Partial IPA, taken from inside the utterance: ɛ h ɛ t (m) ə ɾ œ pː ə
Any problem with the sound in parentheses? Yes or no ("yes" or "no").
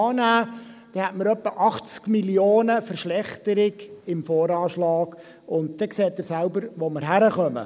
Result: no